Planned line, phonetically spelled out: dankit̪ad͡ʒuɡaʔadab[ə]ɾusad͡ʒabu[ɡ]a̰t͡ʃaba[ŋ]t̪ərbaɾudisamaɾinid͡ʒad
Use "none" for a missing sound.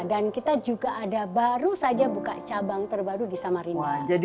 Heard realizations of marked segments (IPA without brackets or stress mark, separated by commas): a, k, ŋ